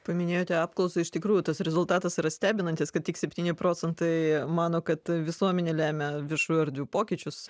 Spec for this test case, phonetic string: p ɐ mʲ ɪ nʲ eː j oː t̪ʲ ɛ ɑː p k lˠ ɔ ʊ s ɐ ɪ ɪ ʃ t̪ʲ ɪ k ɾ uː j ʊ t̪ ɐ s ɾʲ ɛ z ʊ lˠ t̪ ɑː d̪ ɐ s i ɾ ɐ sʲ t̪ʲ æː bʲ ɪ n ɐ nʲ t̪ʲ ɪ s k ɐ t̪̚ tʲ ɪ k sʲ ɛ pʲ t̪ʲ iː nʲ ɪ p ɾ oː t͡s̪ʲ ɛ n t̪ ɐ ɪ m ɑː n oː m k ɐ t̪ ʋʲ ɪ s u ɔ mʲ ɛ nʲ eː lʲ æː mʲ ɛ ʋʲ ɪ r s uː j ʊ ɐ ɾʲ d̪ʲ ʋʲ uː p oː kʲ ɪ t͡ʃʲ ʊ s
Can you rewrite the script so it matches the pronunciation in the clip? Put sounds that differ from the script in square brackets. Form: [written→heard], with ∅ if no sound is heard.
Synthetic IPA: p ɐ mʲ ɪ nʲ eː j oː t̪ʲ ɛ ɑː p k lˠ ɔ ʊ s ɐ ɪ ɪ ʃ t̪ʲ ɪ k ɾ uː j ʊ t̪ ɐ s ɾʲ ɛ z ʊ lˠ t̪ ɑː [d̪→t̪] ɐ s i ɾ ɐ sʲ t̪ʲ æː bʲ ɪ n ɐ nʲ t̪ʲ ɪ s k ɐ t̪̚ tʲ ɪ k sʲ ɛ pʲ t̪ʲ iː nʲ ɪ p ɾ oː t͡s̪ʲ ɛ n t̪ ɐ ɪ m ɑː n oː [m→∅] k ɐ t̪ ʋʲ ɪ s u ɔ mʲ ɛ nʲ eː lʲ æː mʲ ɛ ʋʲ ɪ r [s→ʃ] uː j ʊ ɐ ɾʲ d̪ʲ ʋʲ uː p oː kʲ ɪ t͡ʃʲ ʊ s